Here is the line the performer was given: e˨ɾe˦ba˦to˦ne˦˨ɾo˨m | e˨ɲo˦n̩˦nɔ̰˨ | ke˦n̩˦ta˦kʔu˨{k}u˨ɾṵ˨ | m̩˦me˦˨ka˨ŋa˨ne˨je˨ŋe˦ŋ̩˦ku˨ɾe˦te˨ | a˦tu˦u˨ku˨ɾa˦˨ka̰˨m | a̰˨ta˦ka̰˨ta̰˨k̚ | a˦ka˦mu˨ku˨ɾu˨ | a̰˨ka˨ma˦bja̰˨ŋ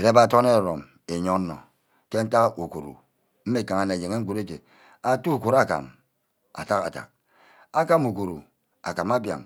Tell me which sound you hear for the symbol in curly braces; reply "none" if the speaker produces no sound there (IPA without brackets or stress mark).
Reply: k